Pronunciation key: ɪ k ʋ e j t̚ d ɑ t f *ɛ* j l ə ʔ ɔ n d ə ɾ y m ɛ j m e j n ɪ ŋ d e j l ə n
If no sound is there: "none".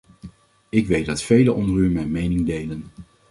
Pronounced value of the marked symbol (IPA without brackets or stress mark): e